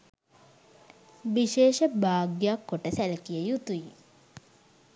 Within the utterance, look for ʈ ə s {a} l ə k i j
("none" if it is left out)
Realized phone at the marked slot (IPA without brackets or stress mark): æ